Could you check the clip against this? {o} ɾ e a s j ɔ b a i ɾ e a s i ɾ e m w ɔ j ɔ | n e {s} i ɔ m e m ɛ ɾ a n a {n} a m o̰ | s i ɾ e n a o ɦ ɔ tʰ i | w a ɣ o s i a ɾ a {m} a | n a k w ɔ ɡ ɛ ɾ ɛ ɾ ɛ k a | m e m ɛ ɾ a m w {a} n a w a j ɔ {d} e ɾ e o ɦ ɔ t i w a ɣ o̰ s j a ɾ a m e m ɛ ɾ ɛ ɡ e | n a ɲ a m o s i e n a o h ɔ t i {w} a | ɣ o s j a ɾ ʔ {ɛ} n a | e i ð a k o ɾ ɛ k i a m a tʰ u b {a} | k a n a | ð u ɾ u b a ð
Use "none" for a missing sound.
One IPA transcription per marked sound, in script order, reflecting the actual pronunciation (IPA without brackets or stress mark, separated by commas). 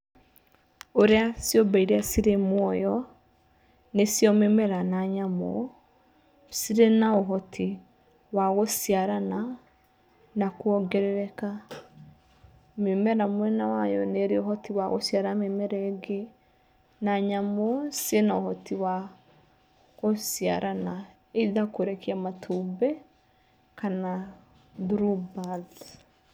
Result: o, s, ɲ, n, ɛ, n, w, a, ɛ